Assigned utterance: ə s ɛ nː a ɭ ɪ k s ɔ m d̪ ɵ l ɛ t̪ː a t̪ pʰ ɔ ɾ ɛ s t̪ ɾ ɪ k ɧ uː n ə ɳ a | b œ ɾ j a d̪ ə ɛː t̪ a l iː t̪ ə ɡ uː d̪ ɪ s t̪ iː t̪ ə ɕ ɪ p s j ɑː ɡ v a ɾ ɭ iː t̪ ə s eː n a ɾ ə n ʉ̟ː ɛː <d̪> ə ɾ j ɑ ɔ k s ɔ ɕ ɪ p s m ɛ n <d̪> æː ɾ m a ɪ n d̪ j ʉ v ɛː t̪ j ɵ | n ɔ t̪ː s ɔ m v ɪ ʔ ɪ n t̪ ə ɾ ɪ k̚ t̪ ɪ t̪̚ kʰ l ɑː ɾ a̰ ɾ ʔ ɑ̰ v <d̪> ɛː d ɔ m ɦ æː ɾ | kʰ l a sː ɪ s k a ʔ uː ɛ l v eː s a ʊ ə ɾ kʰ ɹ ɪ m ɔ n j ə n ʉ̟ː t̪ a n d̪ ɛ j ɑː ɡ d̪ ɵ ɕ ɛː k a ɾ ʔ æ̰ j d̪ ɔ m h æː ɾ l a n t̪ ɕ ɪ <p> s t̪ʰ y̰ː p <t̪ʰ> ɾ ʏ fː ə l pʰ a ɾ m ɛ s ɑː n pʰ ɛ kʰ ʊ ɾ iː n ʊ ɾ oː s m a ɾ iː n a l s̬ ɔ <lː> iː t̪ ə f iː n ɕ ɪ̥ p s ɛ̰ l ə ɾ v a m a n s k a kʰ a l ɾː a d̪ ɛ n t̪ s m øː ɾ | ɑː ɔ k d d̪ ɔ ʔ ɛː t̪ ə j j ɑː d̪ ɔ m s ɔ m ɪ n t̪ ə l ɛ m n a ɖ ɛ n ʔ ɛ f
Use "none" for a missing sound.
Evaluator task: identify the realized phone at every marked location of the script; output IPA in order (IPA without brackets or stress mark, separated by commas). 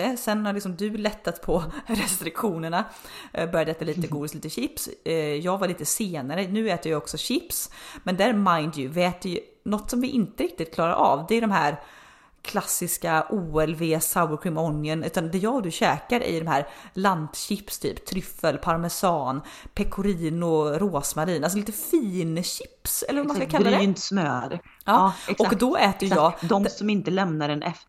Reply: t̪, d̪, d̪, p, t̪ʰ, l